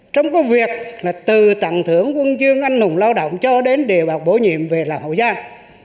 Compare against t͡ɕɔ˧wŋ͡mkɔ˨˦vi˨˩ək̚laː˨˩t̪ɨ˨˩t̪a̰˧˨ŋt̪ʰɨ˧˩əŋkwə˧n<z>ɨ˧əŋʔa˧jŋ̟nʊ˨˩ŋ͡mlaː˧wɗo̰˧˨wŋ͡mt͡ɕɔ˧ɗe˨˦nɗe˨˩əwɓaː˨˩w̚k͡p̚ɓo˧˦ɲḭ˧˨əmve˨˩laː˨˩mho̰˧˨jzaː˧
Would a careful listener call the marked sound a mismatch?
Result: no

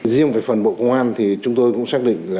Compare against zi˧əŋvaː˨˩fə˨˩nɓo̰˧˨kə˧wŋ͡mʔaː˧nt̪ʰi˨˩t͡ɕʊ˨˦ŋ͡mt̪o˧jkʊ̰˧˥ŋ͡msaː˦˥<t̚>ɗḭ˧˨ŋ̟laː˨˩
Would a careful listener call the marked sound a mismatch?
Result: yes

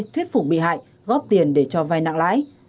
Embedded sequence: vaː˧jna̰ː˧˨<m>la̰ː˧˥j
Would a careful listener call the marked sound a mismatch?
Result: yes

